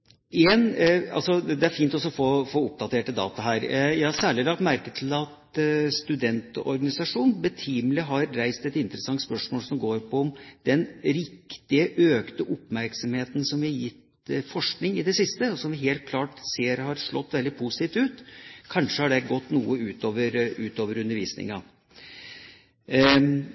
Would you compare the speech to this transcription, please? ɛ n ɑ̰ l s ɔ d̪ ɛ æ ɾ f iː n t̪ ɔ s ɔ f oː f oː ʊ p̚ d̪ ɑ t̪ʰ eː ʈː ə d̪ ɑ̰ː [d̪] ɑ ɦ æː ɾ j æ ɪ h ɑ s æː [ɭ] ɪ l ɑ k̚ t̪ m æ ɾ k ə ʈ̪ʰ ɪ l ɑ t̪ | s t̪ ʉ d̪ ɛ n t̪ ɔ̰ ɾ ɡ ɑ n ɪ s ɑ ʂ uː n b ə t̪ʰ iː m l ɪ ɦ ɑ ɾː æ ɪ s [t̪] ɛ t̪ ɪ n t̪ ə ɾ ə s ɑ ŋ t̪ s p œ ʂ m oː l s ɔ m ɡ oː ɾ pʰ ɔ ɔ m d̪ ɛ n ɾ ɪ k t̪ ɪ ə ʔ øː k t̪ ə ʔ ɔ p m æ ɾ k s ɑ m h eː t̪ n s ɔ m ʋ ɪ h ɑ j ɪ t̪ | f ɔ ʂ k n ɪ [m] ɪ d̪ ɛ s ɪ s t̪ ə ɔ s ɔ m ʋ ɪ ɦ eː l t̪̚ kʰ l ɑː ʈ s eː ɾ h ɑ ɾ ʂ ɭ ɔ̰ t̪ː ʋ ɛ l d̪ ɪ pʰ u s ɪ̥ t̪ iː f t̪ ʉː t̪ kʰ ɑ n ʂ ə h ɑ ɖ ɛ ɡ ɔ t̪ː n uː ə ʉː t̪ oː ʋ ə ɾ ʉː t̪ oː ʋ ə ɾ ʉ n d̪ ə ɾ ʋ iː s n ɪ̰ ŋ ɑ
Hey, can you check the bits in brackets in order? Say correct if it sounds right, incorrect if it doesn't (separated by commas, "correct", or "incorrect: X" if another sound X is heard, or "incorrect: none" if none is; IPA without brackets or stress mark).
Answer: incorrect: t̪, correct, correct, incorrect: ŋ